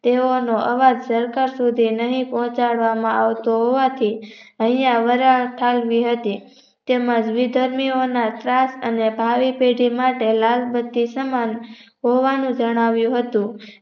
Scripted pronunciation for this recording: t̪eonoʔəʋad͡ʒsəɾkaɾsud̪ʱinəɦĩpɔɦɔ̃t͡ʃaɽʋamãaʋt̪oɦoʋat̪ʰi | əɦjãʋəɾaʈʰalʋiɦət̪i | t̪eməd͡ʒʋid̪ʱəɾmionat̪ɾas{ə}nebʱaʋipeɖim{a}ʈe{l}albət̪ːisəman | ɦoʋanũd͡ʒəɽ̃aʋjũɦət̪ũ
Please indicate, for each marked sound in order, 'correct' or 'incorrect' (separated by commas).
correct, correct, correct